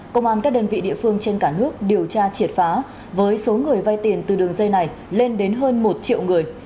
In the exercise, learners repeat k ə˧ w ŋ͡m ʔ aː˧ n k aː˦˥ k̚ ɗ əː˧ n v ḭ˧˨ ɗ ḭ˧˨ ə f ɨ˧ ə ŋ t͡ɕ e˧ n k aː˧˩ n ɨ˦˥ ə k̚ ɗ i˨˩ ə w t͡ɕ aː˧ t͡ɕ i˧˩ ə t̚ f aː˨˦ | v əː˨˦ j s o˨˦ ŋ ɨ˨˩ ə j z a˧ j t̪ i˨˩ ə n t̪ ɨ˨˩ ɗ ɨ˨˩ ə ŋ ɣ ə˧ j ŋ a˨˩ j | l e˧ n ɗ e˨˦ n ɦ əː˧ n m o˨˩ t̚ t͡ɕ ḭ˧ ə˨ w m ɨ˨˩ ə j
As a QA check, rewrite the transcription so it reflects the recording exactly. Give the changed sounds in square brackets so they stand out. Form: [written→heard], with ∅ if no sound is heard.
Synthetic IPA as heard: k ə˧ w ŋ͡m ʔ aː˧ n k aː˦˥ k̚ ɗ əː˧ n v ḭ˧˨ ɗ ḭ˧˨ ə f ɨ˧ ə ŋ t͡ɕ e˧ n k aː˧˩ n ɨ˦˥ ə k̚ ɗ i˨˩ ə w t͡ɕ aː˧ t͡ɕ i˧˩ ə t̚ f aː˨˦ | v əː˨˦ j s o˨˦ ŋ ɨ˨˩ ə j [z→v] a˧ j t̪ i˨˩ ə n t̪ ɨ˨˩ ɗ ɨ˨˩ ə ŋ [ɣ→z] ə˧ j [ŋ→n] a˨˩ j | l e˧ n ɗ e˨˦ n ɦ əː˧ n m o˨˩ t̚ t͡ɕ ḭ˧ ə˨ w [m→ŋ] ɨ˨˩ ə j